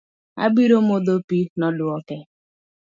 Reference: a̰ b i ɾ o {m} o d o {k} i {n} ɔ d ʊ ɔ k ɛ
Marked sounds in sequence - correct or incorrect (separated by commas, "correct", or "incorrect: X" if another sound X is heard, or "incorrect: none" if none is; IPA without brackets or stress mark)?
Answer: correct, incorrect: p, correct